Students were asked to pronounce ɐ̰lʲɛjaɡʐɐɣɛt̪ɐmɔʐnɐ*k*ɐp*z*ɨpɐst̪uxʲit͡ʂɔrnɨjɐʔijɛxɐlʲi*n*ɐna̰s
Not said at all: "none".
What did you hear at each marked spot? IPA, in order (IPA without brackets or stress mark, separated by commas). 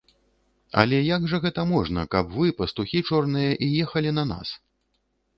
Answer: k, v, n